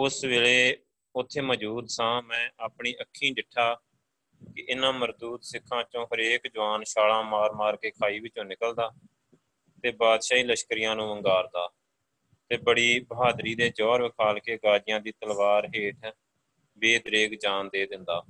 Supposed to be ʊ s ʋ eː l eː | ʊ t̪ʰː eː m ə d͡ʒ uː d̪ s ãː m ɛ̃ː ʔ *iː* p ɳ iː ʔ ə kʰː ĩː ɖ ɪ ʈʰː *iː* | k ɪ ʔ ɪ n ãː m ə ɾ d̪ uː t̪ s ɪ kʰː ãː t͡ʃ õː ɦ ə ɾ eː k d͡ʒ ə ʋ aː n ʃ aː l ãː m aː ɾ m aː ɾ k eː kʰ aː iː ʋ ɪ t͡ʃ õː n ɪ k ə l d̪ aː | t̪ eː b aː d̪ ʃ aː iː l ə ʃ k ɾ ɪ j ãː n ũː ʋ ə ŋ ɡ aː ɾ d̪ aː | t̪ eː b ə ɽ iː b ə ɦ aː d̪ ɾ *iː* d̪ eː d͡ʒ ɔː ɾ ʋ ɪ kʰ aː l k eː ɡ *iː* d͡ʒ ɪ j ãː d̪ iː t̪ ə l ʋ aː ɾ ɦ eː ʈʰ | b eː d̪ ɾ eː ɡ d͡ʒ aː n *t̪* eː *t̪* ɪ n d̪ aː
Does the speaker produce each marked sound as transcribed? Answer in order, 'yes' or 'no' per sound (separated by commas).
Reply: no, no, yes, no, no, no